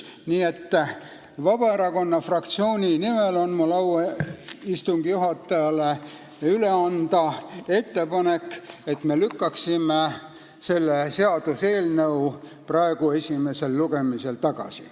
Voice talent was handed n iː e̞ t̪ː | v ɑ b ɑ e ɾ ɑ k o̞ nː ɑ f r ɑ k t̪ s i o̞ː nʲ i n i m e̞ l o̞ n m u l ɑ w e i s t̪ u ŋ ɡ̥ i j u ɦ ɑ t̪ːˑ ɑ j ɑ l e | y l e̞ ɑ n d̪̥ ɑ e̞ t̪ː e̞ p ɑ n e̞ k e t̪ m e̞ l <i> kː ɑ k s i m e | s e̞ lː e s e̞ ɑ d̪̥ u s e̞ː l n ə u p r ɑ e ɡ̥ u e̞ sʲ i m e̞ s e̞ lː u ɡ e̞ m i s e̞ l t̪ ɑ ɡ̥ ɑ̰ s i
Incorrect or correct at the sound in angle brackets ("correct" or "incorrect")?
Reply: incorrect